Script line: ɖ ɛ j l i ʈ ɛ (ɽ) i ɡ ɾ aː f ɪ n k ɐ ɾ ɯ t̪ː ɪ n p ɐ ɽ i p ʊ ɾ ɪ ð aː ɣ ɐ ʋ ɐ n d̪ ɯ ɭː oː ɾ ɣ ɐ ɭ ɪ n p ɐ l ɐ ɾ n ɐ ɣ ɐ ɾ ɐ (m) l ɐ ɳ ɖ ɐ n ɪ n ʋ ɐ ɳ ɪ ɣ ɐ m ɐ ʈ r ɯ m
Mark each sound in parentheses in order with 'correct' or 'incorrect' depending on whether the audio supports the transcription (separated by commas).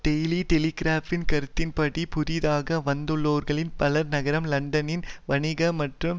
incorrect, correct